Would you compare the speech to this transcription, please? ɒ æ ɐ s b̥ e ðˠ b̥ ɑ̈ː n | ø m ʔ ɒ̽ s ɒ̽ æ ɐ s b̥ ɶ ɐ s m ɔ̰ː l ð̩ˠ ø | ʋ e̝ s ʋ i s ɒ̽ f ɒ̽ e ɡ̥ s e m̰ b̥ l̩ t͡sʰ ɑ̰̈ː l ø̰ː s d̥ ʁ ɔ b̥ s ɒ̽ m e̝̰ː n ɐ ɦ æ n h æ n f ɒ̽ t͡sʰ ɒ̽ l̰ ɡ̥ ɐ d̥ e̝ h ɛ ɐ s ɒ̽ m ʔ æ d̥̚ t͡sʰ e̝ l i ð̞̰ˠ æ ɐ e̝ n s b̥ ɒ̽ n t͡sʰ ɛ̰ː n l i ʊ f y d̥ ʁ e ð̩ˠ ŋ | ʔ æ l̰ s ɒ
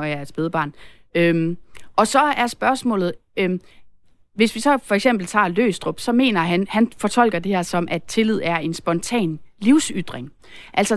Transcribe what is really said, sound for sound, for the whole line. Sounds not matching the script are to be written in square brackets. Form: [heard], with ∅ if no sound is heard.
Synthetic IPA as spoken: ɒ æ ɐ s b̥ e ðˠ b̥ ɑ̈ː n | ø m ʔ ɒ̽ s ɒ̽ æ ɐ s b̥ ɶ ɐ s m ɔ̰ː l ð̩ˠ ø | ʋ e̝ s ʋ i s ɒ̽ f ɒ̽ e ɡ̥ s e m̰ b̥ l̩ t͡sʰ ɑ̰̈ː l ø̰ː s d̥ ʁ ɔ b̥ s ɒ̽ m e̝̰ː n ɐ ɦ æ n h æ n f ɒ̽ t͡sʰ ɒ̽ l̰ ɡ̥ ɐ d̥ e̝ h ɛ ɐ s ɒ̽ m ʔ æ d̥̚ t͡sʰ e̝ l i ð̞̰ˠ æ ɐ e̝ n s b̥ ɒ̽ n t͡sʰ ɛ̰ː n l i ʊ [s] y d̥ ʁ e [∅] ŋ | ʔ æ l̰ s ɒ